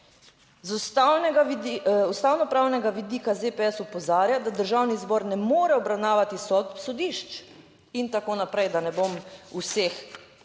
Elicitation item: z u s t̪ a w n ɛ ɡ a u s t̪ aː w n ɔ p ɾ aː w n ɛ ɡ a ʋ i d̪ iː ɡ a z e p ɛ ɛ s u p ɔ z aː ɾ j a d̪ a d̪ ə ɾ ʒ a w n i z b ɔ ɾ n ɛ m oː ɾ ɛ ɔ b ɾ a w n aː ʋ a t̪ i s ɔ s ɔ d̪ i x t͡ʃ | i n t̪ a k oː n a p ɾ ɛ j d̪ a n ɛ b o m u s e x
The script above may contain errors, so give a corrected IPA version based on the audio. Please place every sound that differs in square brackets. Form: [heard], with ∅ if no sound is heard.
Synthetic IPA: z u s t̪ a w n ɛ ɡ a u s t̪ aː w n ɔ p ɾ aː w n ɛ ɡ a ʋ i d̪ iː [k] a z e p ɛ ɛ s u p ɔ z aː ɾ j a d̪ a d̪ ə ɾ ʒ a w n i z b ɔ ɾ n ɛ m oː ɾ ɛ ɔ b ɾ a w n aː ʋ a t̪ i s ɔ s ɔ d̪ i [ʃ] t͡ʃ | i n t̪ a k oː n a p ɾ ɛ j d̪ a n ɛ b o m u s e x